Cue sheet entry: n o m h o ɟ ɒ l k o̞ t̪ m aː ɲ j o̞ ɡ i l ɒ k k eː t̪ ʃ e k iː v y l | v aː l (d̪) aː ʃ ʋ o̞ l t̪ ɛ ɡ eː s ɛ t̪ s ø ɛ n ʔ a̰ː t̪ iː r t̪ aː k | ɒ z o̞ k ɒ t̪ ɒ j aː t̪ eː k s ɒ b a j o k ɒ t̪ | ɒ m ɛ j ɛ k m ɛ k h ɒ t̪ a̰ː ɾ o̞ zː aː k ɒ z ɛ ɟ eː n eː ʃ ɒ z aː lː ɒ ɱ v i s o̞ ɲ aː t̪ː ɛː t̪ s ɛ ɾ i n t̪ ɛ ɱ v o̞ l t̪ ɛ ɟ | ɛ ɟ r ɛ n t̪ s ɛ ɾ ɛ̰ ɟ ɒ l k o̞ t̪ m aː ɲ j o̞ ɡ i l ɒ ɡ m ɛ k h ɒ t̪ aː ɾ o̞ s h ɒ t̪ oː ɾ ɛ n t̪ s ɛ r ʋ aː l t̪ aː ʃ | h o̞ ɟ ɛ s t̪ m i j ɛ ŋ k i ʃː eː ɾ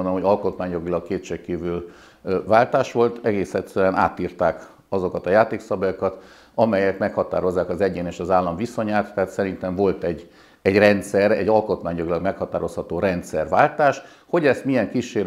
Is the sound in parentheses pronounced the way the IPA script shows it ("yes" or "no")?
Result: no